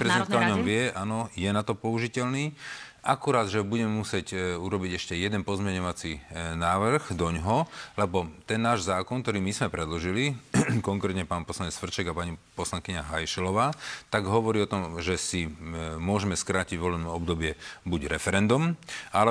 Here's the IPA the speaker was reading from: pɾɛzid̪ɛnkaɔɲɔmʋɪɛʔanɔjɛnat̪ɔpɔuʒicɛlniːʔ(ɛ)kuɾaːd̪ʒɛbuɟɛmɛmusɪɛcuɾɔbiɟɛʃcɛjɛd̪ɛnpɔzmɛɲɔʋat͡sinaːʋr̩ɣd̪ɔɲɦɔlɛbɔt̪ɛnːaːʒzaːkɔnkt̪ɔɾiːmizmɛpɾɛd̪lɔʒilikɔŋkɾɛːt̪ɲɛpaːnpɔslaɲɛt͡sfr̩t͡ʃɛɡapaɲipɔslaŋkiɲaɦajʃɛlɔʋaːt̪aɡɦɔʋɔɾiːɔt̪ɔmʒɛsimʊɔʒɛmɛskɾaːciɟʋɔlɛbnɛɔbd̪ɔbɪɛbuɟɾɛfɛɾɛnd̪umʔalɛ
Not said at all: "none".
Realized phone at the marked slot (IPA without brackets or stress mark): a